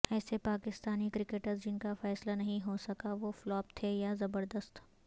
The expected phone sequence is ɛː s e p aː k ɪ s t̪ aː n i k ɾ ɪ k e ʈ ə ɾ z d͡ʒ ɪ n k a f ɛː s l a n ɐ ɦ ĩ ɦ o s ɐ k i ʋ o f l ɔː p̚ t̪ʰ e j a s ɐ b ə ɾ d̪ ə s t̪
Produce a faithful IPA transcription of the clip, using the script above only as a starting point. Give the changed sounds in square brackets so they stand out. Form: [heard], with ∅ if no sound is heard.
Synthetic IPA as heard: ɛː s e p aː k ɪ s t̪ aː n i k ɾ ɪ k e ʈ ə ɾ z d͡ʒ ɪ n k a f ɛː s l a n ɐ ɦ ĩ ɦ o s ɐ k [a] ʋ o f l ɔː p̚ t̪ʰ e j a [z] ɐ b ə ɾ d̪ ə s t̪